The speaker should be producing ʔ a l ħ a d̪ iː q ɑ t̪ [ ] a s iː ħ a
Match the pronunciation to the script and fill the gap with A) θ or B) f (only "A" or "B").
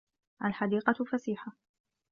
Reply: B